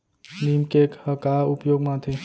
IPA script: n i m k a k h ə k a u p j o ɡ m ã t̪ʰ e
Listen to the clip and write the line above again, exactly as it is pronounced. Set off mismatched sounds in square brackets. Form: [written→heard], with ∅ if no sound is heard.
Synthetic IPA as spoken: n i m k [a→e] k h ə k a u p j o ɡ m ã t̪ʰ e